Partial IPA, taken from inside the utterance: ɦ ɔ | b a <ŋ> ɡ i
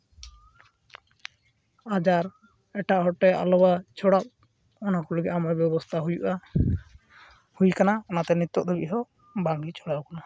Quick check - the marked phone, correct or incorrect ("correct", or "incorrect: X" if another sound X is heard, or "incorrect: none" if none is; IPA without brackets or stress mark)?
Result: correct